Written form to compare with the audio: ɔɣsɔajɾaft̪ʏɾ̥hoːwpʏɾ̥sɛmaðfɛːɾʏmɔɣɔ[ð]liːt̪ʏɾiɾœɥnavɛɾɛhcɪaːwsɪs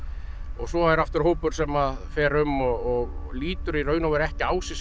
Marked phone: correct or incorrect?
incorrect: ɣ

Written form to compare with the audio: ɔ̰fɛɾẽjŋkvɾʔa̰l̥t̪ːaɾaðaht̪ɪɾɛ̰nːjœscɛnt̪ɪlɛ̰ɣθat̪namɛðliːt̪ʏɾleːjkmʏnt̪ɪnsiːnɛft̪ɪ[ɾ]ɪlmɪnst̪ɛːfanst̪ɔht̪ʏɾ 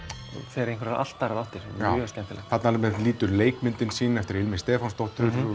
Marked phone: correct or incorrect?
correct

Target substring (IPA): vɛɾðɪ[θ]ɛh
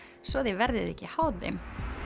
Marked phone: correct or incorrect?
incorrect: ð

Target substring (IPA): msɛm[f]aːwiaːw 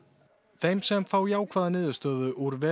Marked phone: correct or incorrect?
correct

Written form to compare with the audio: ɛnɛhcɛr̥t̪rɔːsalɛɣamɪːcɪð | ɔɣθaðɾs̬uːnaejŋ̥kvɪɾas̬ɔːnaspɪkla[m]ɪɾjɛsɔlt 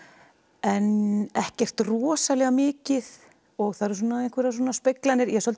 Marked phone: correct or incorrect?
incorrect: n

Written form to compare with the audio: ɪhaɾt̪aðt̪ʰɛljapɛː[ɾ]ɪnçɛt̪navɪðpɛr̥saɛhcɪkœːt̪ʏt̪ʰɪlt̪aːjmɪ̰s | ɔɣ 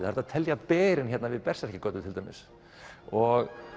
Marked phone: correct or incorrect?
correct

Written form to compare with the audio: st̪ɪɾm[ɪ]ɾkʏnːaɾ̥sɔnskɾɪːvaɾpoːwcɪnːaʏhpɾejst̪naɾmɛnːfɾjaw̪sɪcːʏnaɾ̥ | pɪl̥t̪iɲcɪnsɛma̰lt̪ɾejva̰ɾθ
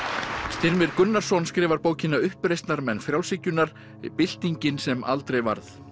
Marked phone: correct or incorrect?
correct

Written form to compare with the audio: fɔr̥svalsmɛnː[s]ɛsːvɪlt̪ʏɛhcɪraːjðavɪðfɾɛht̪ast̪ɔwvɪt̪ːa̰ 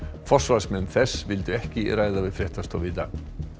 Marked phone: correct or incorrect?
incorrect: θ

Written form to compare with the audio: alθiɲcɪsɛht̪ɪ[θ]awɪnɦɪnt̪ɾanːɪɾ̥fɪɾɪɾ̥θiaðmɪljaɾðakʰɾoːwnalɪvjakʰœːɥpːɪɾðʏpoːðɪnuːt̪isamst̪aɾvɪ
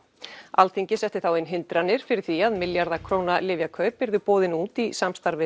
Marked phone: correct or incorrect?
correct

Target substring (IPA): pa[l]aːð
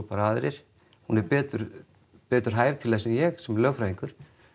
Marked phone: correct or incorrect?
incorrect: ɾ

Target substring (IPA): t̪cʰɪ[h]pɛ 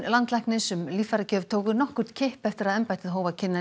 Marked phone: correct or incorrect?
correct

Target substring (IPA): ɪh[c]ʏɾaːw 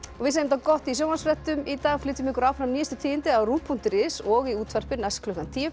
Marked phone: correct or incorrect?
incorrect: k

